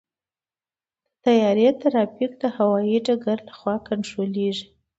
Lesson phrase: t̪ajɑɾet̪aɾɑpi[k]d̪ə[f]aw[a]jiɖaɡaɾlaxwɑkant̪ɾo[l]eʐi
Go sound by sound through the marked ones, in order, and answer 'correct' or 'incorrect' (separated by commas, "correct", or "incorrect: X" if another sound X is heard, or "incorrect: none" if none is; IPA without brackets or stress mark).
correct, incorrect: h, incorrect: ɑ, correct